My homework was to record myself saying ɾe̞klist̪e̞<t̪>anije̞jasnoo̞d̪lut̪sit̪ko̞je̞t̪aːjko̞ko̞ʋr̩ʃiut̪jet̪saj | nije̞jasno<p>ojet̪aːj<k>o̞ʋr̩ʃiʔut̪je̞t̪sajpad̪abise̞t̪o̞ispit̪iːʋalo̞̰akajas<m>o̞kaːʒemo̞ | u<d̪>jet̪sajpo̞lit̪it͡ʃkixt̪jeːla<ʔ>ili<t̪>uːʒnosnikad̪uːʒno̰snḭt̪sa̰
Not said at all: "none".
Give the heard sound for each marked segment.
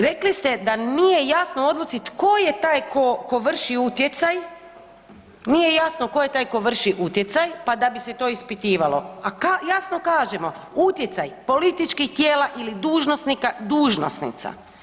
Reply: d̪, k, k, n, t̪, ʔ, d̪

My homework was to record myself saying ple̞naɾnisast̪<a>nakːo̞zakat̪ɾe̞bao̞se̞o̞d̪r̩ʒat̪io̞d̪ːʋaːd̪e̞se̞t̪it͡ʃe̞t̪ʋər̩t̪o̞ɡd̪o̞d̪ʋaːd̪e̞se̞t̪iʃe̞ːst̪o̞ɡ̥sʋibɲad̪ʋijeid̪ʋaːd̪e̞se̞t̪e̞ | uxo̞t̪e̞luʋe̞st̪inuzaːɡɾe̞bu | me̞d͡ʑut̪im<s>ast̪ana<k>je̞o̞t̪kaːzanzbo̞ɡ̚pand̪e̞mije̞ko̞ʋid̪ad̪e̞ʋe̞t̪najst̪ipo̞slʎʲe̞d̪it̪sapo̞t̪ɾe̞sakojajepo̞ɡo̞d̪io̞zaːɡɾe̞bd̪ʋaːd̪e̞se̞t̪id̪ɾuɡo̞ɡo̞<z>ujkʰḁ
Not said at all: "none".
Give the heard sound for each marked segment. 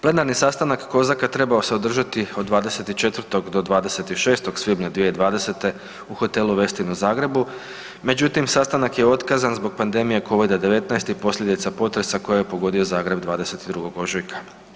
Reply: a, s, k, ʒ

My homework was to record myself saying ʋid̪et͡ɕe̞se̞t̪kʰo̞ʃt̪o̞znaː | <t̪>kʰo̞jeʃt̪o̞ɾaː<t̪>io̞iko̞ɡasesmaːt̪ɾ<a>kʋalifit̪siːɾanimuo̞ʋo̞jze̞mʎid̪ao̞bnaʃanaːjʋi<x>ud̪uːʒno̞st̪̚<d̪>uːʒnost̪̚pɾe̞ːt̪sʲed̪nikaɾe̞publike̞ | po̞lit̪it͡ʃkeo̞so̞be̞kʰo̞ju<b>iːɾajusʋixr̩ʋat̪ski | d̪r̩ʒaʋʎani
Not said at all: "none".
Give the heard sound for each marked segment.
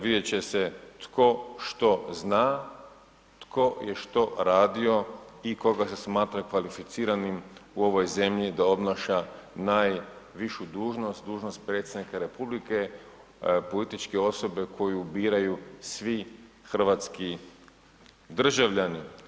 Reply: t̪, d̪, a, ʃ, d̪, b

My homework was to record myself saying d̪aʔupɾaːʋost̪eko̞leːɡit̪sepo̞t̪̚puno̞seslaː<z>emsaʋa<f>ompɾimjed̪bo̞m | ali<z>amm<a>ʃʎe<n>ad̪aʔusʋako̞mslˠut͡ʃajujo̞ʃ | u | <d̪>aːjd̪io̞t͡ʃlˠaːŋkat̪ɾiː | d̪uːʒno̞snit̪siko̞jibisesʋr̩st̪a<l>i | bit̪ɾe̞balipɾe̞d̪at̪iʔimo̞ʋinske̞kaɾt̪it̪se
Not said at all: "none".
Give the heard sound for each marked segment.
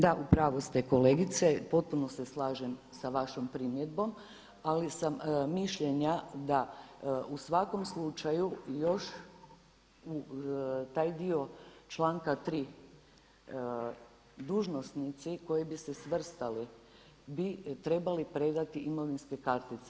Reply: ʒ, ʃ, s, i, ɲ, t̪, l

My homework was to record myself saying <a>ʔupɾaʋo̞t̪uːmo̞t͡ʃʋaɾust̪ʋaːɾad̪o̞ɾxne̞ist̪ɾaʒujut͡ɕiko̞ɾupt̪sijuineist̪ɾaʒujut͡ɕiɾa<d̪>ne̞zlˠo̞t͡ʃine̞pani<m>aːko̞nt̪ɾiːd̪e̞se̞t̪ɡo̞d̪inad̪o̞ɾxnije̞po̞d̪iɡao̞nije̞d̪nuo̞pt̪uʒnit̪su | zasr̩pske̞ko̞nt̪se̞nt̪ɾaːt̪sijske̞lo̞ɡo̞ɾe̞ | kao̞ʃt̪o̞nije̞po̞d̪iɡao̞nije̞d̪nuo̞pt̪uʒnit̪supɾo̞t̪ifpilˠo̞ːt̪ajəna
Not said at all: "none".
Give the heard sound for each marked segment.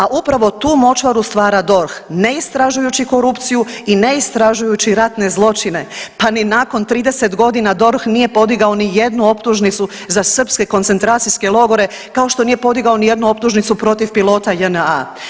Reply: a, t̪, n

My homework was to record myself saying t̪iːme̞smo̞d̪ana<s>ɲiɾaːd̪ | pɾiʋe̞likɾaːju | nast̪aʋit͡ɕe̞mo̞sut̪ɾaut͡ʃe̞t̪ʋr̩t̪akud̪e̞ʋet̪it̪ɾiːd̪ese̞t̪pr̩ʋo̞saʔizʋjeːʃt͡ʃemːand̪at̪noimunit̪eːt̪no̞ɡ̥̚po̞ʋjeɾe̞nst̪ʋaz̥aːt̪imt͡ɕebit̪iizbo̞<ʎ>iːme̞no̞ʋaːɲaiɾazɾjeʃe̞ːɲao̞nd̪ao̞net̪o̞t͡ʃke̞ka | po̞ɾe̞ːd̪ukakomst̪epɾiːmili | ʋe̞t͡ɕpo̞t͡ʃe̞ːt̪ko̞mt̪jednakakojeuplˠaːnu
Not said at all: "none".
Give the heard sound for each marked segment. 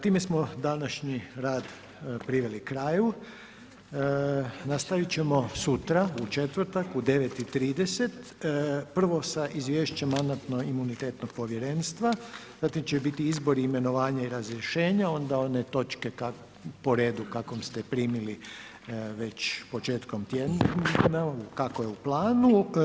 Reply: ʃ, ɾ

